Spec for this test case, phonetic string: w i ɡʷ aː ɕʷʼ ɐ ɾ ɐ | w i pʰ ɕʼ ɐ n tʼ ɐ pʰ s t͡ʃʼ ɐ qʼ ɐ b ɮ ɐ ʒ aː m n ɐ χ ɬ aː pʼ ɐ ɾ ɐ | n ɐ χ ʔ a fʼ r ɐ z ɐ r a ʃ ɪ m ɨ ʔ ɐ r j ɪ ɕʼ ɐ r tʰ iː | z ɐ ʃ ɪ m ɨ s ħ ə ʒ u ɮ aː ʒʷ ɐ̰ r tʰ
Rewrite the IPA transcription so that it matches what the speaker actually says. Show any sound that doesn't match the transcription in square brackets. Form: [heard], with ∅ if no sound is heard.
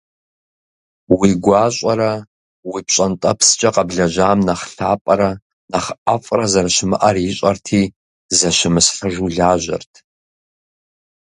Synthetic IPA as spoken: w i ɡʷ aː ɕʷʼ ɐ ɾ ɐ | w i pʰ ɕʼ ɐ n tʼ ɐ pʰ s t͡ʃʼ ɐ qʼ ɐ b ɮ ɐ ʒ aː m n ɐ χ ɬ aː pʼ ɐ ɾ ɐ | n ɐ χ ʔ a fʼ r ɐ z ɐ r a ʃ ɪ m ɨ ʔ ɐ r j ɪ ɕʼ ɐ r tʰ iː | z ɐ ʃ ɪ m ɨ s ħ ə ʒ u ɮ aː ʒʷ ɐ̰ r tʰ